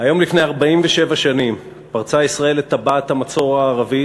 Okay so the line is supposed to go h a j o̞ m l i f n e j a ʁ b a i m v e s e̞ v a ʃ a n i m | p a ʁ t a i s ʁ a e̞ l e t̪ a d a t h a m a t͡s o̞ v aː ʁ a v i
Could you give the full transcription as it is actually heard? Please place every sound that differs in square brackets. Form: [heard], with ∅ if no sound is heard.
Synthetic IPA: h a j o̞ m l i f n e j a ʁ b a i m v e [ʃ] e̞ v a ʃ a n i m | p a ʁ [t͡s] a i s ʁ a e̞ l e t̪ a [b] a t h a m a t͡s o̞ [ʁ] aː ʁ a v i